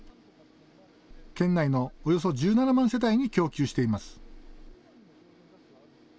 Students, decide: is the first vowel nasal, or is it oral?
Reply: nasal